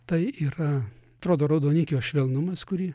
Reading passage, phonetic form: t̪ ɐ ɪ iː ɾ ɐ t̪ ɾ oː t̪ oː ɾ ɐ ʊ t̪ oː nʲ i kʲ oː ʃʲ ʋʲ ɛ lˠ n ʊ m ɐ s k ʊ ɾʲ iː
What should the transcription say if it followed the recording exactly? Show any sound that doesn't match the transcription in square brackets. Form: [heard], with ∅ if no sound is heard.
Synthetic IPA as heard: t̪ ɐ ɪ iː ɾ ɐ t̪ ɾ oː [d̪] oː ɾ ɐ ʊ [d̪] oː nʲ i kʲ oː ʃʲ ʋʲ ɛ lˠ n ʊ m ɐ s k ʊ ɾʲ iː